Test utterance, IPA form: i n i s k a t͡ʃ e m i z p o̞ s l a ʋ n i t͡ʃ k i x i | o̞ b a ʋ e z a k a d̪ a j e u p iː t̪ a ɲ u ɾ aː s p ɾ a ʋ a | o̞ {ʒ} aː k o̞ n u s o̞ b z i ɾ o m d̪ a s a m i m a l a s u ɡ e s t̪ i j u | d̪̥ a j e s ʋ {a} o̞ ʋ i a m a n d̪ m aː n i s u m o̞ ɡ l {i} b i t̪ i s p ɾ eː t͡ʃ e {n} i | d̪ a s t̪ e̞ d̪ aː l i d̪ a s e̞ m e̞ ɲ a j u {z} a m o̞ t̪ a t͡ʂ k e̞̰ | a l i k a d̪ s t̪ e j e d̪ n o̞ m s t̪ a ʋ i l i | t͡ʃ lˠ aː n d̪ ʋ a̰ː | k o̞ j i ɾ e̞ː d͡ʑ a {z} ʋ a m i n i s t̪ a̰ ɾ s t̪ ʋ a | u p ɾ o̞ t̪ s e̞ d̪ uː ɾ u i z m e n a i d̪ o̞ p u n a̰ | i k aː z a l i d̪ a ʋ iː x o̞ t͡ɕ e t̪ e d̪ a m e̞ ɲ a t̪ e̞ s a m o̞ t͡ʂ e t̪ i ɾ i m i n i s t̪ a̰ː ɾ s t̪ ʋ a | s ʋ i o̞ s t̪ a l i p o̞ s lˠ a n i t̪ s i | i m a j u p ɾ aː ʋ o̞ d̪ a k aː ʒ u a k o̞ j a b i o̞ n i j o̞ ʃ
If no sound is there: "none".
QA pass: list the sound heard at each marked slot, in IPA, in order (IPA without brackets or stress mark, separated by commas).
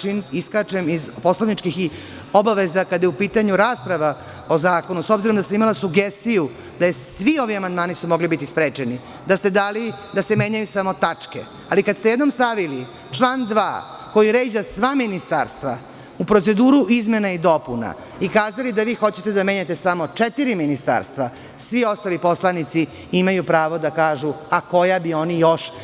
z, i, i, n, s, s